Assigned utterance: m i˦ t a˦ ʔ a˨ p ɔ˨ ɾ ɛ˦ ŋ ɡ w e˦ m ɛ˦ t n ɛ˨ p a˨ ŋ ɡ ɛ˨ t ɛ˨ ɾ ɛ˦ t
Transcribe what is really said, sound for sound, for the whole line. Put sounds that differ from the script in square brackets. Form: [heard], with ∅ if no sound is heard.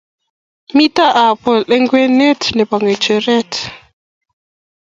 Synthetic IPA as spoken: m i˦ t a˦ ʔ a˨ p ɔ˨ [l] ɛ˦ ŋ ɡ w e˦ [n] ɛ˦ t n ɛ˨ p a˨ ŋ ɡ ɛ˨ [t͡ʃ] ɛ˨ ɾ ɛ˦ t